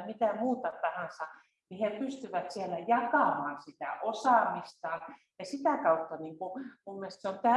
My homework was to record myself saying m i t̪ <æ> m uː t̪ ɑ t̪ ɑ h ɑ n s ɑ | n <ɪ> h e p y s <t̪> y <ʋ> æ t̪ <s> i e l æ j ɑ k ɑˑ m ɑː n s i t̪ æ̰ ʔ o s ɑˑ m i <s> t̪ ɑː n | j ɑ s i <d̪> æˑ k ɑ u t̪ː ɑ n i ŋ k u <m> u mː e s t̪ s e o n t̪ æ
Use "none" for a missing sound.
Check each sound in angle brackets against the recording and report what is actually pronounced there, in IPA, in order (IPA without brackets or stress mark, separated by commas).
æ, i, t̪, ʋ, s, s, t̪, m